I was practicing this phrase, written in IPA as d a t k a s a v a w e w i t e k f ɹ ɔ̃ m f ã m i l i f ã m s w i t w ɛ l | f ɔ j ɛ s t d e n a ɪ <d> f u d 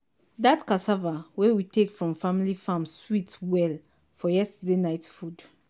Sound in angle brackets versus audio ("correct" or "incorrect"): incorrect